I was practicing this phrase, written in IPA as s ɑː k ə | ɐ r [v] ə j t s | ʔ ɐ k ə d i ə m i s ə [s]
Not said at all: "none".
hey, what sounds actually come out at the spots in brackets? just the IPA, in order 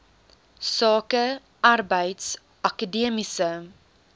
b, none

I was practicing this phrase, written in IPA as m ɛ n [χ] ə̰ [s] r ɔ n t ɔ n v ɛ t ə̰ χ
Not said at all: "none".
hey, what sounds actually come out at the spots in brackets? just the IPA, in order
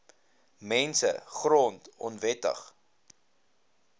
s, χ

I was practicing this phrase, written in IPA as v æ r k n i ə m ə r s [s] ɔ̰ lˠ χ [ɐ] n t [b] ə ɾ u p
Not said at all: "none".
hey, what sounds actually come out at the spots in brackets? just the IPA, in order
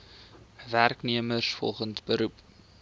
f, ə, b

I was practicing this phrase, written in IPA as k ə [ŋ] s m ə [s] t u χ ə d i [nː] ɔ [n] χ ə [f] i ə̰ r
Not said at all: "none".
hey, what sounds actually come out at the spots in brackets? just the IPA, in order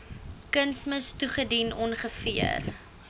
n, s, n, n, f

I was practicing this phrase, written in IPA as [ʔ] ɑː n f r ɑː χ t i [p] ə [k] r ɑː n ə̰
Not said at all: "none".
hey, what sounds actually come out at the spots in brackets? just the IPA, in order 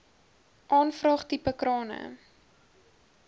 ʔ, p, k

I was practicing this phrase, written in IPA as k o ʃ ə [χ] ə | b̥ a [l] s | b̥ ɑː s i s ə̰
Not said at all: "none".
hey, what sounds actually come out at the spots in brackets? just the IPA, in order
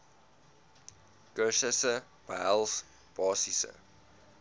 s, l

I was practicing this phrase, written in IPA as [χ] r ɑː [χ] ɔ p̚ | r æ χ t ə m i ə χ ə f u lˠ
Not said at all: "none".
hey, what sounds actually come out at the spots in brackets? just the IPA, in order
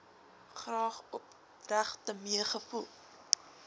χ, χ

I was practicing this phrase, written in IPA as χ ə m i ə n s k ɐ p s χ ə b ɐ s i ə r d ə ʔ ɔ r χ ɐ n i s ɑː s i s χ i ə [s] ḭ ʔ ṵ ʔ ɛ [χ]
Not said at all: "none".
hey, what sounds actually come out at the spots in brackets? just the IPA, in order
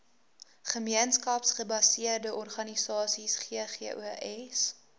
χ, s

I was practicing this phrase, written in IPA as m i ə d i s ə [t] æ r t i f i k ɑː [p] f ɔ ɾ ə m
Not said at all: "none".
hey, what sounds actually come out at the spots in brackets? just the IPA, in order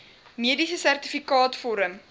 s, t

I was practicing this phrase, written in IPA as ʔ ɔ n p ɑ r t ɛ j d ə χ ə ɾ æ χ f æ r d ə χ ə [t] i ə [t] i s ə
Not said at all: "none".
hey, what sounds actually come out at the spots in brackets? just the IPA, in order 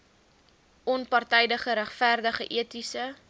ʔ, t

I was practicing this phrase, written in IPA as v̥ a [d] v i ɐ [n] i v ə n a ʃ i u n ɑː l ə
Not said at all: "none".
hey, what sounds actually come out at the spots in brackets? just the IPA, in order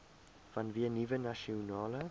n, n

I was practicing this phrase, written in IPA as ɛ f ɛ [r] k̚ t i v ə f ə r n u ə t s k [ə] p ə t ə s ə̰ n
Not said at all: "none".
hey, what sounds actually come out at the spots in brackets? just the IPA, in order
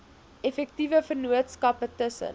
none, ɐ

